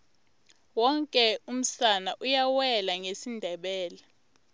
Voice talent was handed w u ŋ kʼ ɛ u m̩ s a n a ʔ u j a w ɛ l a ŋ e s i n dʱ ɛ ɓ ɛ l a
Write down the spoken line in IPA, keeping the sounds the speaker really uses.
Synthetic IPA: w ɔ ŋ kʼ ɛ u m̩ s a n a ʔ u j a w ɛ l a ŋ e s i n dʱ ɛ ɓ ɛː l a